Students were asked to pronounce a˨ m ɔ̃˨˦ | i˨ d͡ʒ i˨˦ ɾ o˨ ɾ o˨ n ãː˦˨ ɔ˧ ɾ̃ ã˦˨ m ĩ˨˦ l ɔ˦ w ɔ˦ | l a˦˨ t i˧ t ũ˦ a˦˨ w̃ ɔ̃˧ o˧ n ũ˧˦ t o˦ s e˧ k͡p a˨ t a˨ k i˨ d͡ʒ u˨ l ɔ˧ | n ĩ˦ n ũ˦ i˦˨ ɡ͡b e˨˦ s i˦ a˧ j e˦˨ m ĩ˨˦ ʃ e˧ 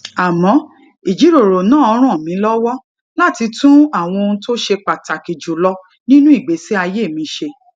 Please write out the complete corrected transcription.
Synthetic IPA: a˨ m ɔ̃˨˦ | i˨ d͡ʒ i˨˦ ɾ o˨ ɾ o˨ n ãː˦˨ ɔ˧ ɾ̃ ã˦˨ m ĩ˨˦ l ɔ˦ w ɔ˦ | l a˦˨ t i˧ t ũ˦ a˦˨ w̃ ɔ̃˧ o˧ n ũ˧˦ t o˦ ʃ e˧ k͡p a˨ t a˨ k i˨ d͡ʒ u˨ l ɔ˧ | n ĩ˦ n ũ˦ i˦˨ ɡ͡b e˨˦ s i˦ a˧ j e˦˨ m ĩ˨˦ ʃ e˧